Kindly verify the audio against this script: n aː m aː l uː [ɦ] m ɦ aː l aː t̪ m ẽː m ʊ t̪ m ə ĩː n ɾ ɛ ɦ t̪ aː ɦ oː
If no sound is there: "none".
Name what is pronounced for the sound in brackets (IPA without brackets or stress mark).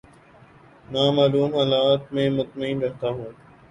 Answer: none